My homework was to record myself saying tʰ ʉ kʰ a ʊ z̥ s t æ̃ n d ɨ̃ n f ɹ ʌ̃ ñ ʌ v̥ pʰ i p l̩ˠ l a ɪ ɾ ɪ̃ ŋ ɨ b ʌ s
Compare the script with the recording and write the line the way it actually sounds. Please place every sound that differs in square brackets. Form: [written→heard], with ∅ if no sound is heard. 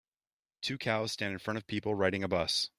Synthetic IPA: tʰ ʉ kʰ a ʊ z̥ s t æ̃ n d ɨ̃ n f ɹ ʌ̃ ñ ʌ v̥ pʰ i p l̩ˠ [l→ɹ] a ɪ ɾ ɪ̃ ŋ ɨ b ʌ s